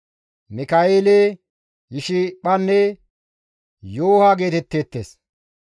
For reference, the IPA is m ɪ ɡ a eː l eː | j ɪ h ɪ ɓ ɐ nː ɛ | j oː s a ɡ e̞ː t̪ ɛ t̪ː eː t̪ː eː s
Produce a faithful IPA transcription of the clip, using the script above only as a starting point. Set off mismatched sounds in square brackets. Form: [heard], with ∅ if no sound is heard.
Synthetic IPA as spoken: m ɪ [k] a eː l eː | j ɪ [ʃ] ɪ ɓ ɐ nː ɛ | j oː [h] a ɡ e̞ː t̪ ɛ t̪ː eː t̪ː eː s